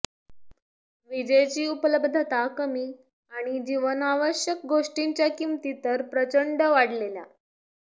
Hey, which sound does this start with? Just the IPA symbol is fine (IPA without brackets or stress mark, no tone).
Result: ʋ